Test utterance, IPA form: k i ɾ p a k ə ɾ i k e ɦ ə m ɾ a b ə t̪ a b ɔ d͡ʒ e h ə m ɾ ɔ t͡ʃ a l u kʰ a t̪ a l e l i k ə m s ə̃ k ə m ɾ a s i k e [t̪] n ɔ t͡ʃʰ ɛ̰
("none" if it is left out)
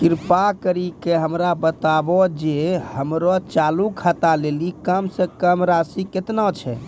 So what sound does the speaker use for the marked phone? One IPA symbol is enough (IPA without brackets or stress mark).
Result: t̪